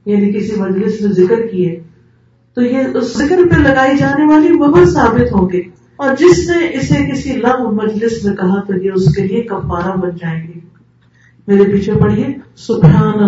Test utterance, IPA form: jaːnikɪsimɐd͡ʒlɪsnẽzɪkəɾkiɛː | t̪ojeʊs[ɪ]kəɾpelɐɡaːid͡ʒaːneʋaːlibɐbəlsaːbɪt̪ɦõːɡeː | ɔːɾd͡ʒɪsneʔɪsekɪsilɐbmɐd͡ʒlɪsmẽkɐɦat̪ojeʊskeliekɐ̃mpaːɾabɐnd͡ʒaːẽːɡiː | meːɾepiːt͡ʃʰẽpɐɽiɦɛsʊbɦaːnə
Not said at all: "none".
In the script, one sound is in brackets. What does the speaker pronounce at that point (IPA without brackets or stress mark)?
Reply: ɪ